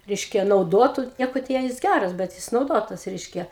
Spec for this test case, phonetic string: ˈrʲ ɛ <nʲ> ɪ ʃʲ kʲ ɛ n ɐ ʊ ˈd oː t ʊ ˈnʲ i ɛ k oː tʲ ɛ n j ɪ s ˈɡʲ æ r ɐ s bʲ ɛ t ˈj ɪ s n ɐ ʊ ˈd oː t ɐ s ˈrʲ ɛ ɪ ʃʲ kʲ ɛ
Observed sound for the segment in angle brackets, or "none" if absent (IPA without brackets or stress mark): none